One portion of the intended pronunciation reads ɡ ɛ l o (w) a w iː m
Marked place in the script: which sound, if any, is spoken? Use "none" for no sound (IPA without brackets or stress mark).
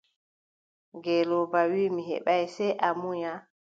b